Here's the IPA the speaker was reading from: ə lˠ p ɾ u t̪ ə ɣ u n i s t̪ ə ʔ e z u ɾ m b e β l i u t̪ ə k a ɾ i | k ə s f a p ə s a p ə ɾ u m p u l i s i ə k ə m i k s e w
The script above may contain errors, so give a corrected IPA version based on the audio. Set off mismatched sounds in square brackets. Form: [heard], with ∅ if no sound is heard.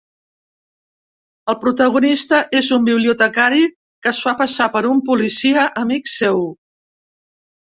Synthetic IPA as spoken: ə lˠ p ɾ u t̪ ə ɣ u n i s t̪ ə ʔ e z u [∅] m b [i] β l i u t̪ ə k a ɾ i | k ə s f a p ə s a p ə ɾ u m p u l i s i ə [ʔ] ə m i k s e w